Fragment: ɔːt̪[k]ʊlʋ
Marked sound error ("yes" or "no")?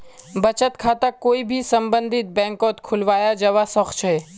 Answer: yes